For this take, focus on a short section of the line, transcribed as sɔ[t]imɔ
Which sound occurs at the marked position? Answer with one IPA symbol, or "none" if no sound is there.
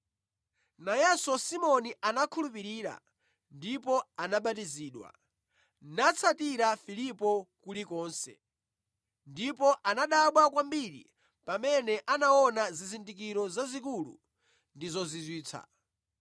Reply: s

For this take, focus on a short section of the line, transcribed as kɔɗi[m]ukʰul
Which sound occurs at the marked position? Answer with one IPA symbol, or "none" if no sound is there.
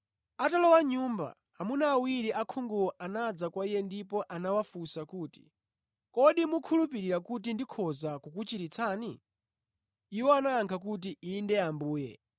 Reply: m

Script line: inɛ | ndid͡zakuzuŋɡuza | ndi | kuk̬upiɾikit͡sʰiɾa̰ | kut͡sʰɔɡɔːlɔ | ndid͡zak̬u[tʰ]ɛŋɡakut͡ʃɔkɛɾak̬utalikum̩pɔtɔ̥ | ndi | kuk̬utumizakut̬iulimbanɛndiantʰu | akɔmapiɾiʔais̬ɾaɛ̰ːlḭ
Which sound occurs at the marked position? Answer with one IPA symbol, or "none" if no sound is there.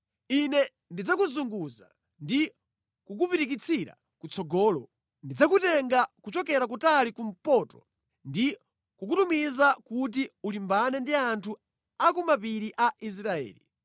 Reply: t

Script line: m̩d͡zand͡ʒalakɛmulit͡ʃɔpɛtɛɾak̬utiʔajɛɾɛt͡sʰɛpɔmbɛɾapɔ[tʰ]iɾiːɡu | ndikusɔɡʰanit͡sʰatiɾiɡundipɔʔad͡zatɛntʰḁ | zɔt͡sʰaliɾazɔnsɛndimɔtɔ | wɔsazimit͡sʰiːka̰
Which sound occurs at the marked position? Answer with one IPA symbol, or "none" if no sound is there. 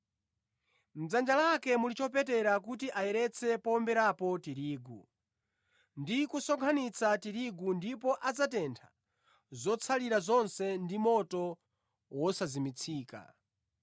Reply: t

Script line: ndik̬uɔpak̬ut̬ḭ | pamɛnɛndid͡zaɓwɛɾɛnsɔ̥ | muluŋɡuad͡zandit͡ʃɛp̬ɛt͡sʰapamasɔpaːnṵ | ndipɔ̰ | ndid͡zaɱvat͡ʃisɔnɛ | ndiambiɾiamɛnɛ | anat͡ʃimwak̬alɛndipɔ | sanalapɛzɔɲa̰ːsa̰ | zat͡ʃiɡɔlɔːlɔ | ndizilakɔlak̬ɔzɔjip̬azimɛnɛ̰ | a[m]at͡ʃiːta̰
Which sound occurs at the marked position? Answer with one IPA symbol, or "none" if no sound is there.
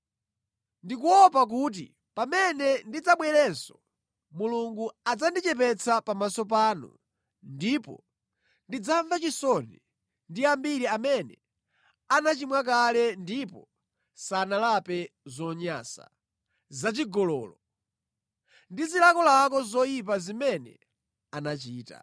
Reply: n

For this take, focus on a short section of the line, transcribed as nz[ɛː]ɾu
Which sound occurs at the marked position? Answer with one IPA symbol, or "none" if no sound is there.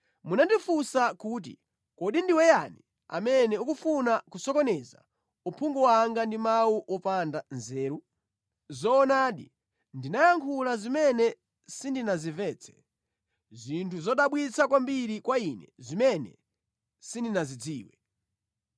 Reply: ɛː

